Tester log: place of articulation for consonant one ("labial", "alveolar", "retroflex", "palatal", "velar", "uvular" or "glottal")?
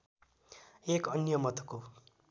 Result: velar